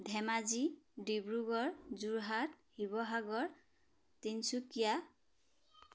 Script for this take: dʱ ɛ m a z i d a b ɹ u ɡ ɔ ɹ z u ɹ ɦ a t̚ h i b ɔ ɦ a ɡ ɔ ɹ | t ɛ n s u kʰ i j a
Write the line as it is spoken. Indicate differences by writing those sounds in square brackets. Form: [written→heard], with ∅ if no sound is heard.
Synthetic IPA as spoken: dʱ ɛ m a z i d [a→i] b ɹ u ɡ ɔ ɹ z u ɹ ɦ a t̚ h i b ɔ ɦ a ɡ ɔ ɹ | t [ɛ→i] n s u [kʰ→k] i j a